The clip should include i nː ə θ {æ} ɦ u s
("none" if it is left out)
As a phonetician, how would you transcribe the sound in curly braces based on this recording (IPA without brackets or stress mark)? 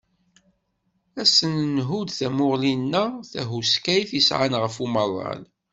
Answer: æ